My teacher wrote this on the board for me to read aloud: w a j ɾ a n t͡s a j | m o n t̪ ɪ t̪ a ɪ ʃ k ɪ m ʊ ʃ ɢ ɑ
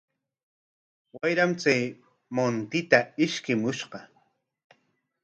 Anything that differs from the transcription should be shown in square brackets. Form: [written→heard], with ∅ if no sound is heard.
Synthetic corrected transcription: w a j ɾ a [n→m] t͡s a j | m o n t̪ ɪ t̪ a ɪ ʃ k ɪ m ʊ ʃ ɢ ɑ